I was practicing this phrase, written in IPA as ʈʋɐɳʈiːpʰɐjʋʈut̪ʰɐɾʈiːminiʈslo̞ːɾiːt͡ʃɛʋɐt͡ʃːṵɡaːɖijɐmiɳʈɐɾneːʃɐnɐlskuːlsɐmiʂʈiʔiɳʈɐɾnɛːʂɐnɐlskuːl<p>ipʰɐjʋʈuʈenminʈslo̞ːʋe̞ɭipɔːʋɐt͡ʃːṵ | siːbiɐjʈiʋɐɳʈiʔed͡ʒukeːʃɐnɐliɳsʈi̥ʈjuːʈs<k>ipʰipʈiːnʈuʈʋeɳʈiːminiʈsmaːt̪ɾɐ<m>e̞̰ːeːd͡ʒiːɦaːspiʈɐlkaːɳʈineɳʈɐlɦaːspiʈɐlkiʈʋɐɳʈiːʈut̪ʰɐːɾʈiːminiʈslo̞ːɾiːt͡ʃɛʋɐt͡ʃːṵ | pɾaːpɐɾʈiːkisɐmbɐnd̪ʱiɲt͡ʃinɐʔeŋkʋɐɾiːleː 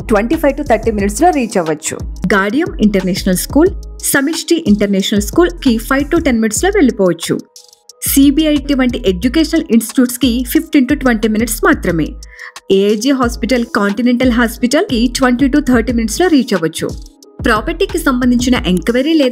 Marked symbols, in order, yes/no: no, yes, yes

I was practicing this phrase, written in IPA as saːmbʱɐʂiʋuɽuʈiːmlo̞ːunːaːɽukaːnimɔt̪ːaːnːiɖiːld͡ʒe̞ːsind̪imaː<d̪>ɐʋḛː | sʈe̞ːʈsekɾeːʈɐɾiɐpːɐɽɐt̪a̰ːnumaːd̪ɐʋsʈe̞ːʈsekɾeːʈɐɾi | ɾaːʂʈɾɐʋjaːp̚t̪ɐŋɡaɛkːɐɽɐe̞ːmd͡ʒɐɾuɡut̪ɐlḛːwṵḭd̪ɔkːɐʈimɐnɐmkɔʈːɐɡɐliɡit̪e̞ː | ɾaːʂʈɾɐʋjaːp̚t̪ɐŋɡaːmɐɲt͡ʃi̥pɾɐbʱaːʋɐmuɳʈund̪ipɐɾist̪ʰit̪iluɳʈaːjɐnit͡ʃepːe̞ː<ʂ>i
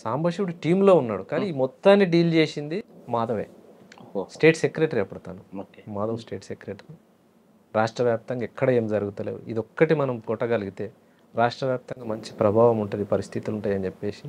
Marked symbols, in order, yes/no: yes, no

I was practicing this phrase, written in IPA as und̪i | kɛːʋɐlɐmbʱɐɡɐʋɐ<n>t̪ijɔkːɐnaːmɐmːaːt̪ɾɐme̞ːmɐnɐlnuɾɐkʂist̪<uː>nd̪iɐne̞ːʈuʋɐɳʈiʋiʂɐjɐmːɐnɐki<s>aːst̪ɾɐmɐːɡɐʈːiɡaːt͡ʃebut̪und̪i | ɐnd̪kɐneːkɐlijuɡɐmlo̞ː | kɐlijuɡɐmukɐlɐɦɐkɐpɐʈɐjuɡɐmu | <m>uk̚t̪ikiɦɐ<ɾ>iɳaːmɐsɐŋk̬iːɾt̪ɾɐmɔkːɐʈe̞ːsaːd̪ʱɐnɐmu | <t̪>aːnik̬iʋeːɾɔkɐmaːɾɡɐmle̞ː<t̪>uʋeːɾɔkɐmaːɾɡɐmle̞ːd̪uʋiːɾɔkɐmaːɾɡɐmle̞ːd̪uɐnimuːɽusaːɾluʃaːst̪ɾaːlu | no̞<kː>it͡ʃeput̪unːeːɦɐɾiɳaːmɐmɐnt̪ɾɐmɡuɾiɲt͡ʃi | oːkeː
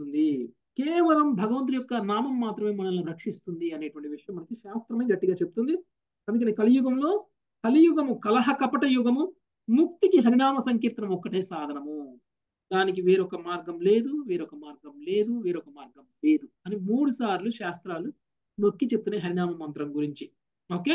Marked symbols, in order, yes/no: yes, no, no, yes, yes, no, no, yes

